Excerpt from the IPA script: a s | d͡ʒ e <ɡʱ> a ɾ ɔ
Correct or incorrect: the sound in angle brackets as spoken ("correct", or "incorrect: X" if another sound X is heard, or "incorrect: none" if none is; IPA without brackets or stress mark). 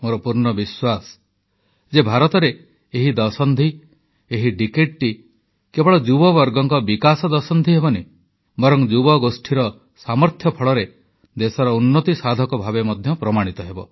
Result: incorrect: bʱ